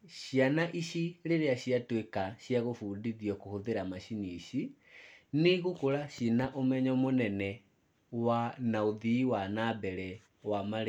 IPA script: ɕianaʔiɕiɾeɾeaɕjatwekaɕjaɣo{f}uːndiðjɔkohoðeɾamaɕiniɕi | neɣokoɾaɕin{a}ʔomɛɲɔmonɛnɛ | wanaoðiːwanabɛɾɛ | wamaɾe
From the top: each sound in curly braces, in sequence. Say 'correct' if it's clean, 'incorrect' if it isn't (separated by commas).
correct, correct